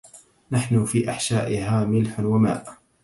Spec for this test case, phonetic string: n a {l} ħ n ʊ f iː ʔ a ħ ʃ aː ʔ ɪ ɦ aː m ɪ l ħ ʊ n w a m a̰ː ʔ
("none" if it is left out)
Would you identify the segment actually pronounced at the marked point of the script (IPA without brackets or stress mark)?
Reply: none